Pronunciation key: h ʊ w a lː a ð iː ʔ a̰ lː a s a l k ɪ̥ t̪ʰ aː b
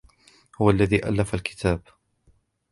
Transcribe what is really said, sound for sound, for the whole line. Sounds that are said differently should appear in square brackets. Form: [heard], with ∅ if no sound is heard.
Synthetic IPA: h ʊ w a lː a ð iː ʔ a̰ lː a [f] a l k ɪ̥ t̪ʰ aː b